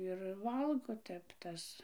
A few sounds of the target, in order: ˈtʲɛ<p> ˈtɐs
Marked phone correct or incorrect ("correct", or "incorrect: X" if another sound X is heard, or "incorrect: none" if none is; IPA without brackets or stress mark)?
correct